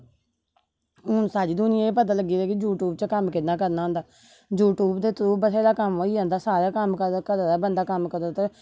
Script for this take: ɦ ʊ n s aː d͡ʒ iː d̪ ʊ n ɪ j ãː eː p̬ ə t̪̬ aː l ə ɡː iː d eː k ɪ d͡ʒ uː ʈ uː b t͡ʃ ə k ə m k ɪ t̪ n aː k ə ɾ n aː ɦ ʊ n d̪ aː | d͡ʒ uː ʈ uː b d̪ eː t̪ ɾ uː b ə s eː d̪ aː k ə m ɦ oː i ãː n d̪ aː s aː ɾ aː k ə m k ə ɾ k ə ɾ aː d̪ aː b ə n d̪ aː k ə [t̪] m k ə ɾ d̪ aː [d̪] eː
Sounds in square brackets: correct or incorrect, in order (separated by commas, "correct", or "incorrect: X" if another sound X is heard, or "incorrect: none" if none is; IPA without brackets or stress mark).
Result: incorrect: none, incorrect: t̪